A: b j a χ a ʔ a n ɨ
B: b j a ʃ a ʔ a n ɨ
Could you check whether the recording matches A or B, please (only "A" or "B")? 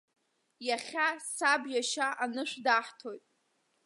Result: B